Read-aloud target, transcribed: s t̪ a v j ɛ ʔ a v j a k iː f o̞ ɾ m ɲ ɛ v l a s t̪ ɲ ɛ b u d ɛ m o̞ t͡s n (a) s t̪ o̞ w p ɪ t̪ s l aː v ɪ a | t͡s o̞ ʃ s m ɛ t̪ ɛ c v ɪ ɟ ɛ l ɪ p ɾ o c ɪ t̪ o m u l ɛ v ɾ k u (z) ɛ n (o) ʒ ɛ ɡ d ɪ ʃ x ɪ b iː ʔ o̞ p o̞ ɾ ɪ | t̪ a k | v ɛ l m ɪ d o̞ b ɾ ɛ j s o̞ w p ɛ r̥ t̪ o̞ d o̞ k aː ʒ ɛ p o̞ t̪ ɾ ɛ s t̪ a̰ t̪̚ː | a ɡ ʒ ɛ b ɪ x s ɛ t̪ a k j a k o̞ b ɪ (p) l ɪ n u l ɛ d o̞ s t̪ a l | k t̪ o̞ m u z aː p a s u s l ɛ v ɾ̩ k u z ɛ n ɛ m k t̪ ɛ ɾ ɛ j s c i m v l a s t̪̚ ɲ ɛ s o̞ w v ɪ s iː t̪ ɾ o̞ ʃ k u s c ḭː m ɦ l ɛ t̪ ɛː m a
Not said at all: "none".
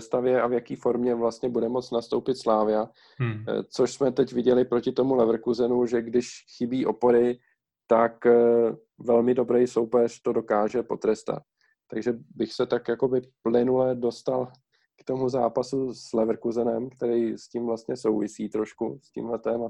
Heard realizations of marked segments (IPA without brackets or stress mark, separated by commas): a, z, u, p